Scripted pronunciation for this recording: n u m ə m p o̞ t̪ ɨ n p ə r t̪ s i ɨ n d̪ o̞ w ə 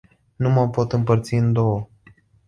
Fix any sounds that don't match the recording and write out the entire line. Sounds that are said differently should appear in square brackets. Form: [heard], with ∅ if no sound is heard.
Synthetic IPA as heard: n u m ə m p o̞ t̪ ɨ [m] p ə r t̪ s i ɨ n d̪ o̞ w ə